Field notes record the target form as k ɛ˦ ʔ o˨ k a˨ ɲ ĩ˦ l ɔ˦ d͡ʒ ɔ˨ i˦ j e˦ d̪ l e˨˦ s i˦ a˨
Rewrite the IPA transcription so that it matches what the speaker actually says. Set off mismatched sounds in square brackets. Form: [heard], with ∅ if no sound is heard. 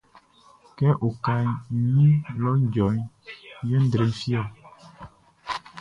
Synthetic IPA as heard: k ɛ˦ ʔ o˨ k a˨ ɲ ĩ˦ l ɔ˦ d͡ʒ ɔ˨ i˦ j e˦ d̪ [ɾ] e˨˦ [f] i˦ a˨